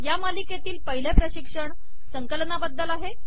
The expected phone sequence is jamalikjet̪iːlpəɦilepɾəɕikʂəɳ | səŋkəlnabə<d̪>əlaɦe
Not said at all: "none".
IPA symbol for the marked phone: d̪ː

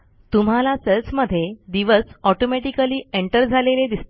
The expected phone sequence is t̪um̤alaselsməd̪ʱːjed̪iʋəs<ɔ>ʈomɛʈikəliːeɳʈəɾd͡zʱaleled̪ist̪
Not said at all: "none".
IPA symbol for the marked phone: ɔ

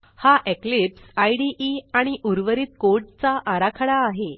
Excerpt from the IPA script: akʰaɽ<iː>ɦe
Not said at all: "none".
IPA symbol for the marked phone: aː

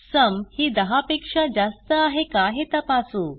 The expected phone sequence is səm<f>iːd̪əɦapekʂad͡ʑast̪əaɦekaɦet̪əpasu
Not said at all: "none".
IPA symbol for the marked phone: h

